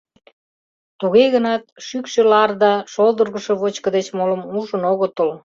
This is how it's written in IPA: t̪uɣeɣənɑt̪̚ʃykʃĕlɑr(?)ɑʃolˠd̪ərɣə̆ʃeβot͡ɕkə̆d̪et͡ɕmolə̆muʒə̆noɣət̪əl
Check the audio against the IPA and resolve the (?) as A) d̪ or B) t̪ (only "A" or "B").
A